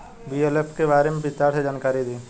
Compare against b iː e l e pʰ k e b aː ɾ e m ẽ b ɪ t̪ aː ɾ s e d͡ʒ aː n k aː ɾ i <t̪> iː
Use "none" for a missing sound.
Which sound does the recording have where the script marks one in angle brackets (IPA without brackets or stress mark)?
d̪